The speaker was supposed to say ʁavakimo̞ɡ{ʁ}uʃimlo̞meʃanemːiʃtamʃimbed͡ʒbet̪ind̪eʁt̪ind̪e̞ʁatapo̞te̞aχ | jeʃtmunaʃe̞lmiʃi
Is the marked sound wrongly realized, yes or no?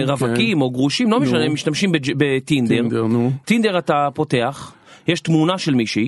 no